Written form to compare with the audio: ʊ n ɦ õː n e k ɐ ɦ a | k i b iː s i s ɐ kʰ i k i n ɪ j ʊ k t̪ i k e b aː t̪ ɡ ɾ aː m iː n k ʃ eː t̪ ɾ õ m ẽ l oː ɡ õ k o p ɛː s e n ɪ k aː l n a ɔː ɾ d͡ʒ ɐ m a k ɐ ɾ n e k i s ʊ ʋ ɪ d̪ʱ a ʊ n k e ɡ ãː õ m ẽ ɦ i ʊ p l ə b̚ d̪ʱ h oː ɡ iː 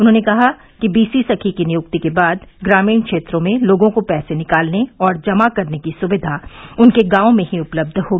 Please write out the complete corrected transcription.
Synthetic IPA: ʊ n ɦ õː n e k ɐ ɦ a | k i b iː s i s ɐ kʰ i k i n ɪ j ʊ k t̪ i k e b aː d̪ ɡ ɾ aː m iː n k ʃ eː t̪ ɾ õ m ẽ l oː ɡ õ k o p ɛː s e n ɪ k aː l n e ɔː ɾ d͡ʒ ɐ m a k ɐ ɾ n e k i s ʊ ʋ ɪ d̪ʱ a ʊ n k e ɡ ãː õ m ẽ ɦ i ʊ p l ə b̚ d̪ʱ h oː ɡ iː